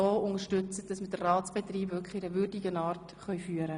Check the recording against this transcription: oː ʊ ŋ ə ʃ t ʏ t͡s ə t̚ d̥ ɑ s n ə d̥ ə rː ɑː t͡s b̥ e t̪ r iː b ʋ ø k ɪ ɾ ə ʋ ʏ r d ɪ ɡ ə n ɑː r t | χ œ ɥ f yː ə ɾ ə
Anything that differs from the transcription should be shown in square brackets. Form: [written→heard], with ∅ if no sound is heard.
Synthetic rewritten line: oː ʊ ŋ ə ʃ t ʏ t͡s ə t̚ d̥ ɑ s [n→m] ə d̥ ə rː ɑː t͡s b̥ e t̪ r iː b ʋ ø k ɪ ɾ ə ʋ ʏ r d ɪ ɡ ə n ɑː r t | χ œ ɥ f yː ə ɾ ə